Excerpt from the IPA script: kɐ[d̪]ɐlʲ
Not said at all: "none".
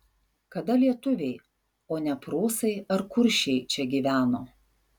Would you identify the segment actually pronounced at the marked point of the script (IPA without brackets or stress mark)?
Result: d̪